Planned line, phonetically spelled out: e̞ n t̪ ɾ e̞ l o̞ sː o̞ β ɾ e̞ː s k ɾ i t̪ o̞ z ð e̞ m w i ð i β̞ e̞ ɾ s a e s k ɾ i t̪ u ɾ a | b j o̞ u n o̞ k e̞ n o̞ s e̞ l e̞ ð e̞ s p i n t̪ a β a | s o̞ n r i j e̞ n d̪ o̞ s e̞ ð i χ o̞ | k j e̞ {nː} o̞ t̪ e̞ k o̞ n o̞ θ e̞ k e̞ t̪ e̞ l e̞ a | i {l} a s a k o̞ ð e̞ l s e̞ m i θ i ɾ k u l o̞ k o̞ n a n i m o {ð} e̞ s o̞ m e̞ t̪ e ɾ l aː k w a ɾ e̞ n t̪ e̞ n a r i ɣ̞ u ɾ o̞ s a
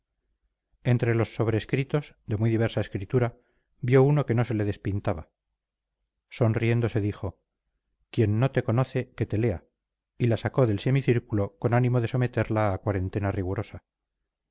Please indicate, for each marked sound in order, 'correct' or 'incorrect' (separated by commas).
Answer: correct, correct, correct